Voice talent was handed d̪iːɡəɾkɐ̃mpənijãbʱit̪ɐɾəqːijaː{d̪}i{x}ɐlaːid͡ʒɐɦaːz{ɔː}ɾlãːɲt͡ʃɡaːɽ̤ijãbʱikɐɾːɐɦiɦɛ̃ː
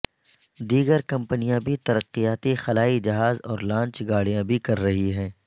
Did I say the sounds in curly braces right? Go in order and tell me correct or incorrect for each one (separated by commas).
incorrect, correct, correct